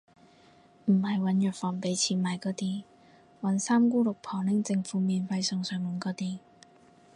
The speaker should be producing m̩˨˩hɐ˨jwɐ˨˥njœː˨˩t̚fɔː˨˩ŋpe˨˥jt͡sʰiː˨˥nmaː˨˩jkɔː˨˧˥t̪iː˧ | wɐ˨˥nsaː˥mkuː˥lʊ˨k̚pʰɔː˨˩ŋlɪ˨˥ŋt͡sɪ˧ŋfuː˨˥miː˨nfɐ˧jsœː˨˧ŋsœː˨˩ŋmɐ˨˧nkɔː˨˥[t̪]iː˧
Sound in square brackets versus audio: correct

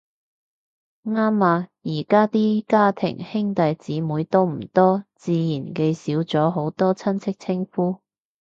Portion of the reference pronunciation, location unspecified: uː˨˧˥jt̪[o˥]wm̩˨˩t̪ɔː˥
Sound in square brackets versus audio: correct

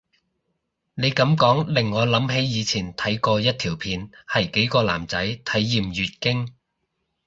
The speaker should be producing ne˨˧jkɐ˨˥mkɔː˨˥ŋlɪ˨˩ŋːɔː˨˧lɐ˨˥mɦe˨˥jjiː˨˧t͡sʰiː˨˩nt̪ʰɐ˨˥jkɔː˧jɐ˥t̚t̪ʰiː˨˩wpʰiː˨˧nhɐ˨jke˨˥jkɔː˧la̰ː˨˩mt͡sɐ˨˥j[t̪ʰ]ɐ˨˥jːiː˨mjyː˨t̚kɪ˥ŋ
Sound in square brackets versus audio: correct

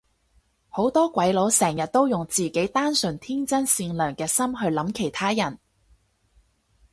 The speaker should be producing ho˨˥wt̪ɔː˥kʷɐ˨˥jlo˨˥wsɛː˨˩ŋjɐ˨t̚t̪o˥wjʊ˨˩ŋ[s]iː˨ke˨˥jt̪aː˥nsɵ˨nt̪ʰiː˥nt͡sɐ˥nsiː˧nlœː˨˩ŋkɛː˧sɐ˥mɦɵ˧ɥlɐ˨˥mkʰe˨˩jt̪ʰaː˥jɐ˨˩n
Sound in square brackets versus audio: incorrect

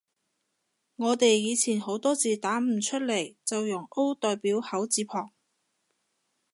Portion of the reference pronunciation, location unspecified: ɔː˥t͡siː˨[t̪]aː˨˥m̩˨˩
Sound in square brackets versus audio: correct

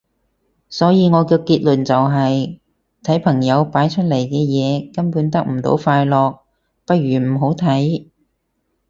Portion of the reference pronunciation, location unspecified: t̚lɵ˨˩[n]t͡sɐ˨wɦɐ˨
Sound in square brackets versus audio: correct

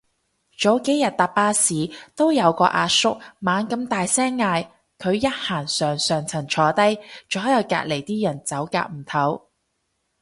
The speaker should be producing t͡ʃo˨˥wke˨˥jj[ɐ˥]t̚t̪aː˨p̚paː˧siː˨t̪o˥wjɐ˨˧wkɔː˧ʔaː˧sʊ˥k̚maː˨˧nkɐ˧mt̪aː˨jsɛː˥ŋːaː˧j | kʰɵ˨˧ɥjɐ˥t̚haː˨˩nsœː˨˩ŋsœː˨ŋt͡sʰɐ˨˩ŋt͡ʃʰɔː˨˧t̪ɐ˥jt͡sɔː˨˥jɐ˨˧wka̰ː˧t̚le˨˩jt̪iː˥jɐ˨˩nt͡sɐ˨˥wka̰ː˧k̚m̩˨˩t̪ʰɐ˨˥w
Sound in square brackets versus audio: incorrect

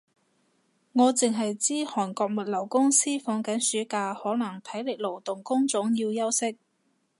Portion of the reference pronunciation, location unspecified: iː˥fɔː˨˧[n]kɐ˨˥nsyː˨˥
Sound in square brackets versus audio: incorrect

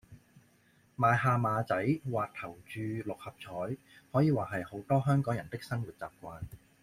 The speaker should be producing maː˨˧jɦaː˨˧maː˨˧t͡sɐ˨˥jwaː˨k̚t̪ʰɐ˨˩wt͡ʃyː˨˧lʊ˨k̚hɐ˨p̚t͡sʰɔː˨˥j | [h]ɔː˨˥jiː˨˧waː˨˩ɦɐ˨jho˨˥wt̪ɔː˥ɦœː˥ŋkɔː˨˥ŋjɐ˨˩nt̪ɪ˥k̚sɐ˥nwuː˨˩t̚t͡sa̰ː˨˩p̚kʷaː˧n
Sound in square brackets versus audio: correct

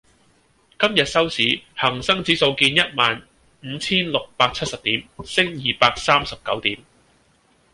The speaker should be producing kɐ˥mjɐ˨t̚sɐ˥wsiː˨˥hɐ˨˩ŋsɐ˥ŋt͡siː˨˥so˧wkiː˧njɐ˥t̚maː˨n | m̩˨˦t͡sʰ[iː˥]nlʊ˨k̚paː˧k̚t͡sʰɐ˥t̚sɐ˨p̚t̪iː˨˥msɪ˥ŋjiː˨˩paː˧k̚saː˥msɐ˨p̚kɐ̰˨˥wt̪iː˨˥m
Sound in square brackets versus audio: correct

